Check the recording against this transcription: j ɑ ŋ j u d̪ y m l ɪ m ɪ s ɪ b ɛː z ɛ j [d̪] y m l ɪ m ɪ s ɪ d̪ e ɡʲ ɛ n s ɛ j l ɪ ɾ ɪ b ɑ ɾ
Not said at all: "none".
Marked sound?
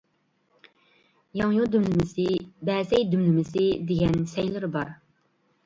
d̪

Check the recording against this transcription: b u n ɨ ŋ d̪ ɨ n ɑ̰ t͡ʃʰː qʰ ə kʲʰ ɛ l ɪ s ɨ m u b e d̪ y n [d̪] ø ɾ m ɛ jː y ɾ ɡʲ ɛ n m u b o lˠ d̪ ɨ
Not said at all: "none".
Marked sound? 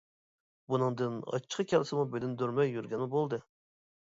d̪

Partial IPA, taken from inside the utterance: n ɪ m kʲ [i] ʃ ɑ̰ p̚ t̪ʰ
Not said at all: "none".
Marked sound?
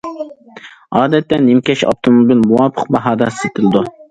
ɛ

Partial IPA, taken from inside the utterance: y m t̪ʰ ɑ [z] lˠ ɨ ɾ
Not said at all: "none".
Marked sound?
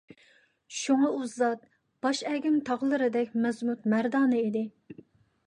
ʁ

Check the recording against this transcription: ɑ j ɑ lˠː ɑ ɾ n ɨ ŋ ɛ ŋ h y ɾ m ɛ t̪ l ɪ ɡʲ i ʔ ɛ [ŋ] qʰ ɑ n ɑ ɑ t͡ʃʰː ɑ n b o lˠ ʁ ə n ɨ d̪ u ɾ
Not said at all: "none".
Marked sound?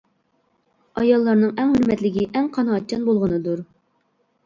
ŋ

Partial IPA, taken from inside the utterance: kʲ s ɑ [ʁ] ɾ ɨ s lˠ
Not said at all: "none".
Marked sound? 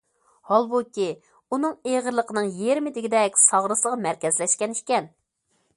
ʁ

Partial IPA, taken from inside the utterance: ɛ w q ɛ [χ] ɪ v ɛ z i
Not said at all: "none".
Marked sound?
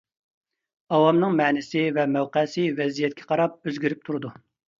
s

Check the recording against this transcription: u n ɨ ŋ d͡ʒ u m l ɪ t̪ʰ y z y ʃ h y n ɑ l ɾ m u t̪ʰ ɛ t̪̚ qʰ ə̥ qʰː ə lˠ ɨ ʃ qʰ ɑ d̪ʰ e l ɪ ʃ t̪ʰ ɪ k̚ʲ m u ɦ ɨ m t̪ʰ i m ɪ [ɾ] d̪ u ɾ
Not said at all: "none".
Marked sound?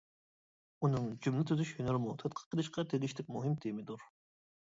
none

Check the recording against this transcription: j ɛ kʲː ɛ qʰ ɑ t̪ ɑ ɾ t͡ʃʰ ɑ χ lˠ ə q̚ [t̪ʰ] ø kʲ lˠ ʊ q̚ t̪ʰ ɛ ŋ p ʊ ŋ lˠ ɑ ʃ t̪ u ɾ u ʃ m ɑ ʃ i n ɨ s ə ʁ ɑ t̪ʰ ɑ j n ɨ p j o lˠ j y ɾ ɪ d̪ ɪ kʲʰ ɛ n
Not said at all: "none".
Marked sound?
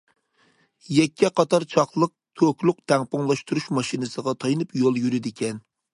t̪ʰ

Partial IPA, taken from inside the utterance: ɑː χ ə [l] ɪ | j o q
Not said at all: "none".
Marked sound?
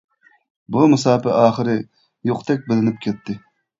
ɾ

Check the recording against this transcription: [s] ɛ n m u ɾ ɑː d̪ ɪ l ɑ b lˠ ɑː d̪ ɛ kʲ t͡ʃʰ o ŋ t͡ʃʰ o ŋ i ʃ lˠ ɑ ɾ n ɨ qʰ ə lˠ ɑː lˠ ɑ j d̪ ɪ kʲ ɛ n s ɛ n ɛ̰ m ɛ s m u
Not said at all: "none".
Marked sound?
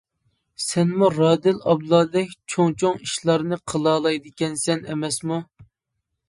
s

